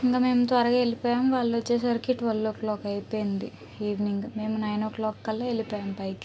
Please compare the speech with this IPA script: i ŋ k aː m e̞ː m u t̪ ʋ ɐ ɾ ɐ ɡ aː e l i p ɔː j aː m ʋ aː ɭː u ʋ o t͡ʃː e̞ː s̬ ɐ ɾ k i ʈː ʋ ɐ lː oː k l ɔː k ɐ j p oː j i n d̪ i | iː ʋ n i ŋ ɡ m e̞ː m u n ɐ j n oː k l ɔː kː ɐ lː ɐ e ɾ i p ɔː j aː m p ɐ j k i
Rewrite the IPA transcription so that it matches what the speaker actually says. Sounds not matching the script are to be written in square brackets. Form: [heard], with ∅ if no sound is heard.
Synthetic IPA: i ŋ k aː m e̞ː m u t̪ ʋ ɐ ɾ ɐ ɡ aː e l i p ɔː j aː m ʋ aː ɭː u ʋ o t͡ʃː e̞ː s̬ ɐ ɾ k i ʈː ʋ ɐ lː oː k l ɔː k ɐ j p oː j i n d̪ i | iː ʋ n i ŋ ɡ m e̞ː m u n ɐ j n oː k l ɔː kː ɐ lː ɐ e [l] i p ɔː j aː m p ɐ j k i

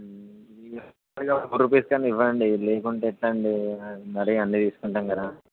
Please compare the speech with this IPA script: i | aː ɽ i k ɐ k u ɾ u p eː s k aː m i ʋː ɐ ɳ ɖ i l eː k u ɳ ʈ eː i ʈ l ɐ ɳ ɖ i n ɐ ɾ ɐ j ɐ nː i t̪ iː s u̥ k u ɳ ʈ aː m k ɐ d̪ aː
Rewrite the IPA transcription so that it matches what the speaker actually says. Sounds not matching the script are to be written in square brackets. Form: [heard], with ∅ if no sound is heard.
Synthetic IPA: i | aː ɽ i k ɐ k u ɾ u p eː s k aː [n] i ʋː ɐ ɳ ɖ i l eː k u ɳ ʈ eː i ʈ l ɐ ɳ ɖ i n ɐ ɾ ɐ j ɐ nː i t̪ iː s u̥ k u ɳ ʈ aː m k ɐ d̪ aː

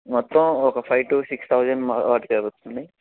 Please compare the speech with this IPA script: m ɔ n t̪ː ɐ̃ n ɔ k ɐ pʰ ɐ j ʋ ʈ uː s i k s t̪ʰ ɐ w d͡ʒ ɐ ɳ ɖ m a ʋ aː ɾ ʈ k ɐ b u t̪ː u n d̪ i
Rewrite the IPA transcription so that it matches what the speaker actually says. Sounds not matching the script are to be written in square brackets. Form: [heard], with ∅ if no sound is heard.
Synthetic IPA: m ɔ [∅] t̪ː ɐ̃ [m] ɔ k ɐ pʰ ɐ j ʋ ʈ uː s i k s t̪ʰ ɐ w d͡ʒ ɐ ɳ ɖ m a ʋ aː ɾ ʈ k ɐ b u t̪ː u n d̪ i

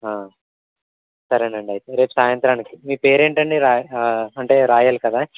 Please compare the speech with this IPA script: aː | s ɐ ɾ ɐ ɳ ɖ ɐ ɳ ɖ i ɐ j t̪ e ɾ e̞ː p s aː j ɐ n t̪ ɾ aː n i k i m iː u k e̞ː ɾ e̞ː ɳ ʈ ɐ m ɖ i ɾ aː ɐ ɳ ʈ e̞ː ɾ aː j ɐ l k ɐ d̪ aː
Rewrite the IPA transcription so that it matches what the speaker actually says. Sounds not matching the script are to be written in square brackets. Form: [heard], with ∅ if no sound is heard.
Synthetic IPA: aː | s ɐ ɾ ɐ ɳ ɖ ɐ ɳ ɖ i ɐ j t̪ e ɾ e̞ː p s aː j ɐ n t̪ ɾ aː n i k i m iː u [p] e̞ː ɾ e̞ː ɳ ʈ ɐ [ɳ] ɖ i ɾ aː ɐ ɳ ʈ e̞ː ɾ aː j ɐ l k ɐ d̪ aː

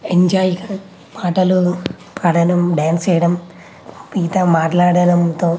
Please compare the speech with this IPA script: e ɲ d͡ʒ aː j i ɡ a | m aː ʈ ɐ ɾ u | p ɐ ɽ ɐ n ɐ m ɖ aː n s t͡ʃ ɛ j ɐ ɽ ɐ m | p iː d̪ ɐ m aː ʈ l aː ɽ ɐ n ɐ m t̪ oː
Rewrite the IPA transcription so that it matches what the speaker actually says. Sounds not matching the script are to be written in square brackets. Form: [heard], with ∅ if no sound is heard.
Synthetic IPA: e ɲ d͡ʒ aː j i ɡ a | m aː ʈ ɐ [l] u | p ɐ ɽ ɐ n ɐ m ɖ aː n s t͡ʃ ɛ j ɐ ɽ ɐ m | p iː [t̪] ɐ m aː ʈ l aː ɽ ɐ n ɐ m t̪ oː

